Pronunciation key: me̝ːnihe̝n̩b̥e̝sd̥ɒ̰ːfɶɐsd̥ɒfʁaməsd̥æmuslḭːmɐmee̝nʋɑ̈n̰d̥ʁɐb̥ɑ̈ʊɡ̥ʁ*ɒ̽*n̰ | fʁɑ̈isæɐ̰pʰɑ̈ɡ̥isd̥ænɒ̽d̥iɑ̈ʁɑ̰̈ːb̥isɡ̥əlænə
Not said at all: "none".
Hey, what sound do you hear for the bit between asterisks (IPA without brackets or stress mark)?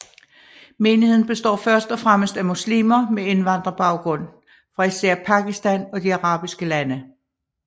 ɔ̽